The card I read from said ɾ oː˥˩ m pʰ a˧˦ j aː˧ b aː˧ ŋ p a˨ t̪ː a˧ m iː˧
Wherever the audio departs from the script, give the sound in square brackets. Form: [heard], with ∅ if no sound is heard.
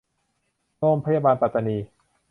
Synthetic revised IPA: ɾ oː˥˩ m pʰ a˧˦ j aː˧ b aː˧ [n] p a˨ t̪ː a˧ [n] iː˧

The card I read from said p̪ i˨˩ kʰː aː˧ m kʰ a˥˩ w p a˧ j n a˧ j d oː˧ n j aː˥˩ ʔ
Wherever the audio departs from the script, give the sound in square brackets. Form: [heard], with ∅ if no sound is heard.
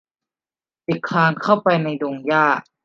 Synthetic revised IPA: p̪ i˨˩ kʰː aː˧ [ŋ] kʰ a˥˩ w p a˧ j n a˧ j d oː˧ [ŋ] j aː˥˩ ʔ

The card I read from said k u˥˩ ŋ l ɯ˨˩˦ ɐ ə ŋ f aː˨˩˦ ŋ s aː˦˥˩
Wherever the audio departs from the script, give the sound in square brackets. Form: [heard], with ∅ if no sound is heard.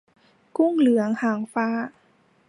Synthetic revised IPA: k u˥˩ ŋ l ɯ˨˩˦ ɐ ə ŋ [h] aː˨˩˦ ŋ [f] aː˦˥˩

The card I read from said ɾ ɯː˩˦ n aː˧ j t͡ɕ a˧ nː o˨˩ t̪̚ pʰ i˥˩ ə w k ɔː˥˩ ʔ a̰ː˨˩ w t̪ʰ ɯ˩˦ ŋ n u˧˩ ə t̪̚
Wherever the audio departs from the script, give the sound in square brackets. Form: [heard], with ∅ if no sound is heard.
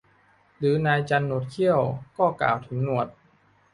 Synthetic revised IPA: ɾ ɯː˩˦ n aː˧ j t͡ɕ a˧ nː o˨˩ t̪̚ [kʰ] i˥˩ ə w k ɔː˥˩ [k] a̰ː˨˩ w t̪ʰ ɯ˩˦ ŋ n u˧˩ ə t̪̚

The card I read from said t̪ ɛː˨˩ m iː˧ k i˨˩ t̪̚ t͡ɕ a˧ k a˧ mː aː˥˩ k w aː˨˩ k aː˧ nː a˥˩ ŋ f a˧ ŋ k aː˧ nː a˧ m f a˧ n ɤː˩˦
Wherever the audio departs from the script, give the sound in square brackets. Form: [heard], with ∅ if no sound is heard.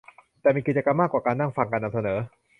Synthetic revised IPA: t̪ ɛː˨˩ m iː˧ k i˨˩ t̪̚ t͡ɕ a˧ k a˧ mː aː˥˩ k w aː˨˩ k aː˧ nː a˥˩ ŋ f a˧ ŋ k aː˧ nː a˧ m [s] a˧ n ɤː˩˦

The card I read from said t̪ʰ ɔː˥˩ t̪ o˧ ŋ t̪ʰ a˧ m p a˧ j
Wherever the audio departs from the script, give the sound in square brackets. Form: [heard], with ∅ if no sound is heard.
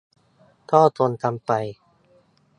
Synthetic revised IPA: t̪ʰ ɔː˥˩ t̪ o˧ [n] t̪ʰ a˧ m p a˧ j

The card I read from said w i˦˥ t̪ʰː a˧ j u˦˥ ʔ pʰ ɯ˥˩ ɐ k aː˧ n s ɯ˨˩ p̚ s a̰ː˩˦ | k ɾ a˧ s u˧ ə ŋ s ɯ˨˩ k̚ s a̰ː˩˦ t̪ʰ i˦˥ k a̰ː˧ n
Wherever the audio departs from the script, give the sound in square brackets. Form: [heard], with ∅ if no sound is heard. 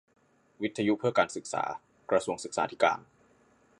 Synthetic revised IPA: w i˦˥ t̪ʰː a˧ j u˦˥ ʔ pʰ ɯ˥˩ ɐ k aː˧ n s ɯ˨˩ [k̚] s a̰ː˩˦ | k ɾ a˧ s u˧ ə ŋ s ɯ˨˩ k̚ s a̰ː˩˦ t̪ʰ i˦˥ k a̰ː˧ n

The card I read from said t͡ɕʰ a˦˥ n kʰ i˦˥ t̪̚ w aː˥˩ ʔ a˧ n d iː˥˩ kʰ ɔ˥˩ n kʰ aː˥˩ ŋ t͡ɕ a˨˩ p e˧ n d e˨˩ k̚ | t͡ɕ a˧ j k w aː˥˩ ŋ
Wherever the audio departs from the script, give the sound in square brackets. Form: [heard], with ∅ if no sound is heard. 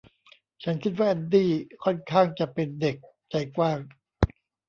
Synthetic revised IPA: t͡ɕʰ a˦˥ n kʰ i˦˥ t̪̚ w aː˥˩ ʔ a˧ n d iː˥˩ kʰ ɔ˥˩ n kʰ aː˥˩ ŋ t͡ɕ a˨˩ p e˧ n d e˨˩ k̚ | t͡ɕ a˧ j k w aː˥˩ ŋ

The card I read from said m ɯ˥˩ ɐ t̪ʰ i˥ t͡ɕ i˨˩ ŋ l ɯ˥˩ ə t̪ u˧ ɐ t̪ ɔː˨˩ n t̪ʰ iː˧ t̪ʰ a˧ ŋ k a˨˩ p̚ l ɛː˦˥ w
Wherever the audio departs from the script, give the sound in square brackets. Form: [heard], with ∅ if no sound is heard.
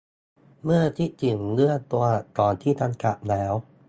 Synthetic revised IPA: m ɯ˥˩ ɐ t̪ʰ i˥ t͡ɕ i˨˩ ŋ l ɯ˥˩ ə t̪ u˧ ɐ t̪ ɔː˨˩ n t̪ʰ [iː˥˩] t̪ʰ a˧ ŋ k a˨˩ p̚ l ɛː˦˥ w

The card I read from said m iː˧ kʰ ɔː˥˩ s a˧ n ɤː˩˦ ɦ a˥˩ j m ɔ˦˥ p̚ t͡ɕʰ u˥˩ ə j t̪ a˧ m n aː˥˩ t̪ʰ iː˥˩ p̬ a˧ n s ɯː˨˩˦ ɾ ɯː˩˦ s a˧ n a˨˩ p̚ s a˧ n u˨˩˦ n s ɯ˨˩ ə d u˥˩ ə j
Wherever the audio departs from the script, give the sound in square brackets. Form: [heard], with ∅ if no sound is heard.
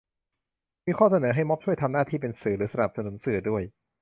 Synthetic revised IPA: m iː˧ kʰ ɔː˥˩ s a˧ n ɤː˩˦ ɦ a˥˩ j m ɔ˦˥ p̚ t͡ɕʰ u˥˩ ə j [t̪ʰ] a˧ m n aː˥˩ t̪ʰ iː˥˩ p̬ [e˧] n s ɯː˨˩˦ ɾ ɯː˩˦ s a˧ n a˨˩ p̚ s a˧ n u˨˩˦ n s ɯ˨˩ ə d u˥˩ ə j

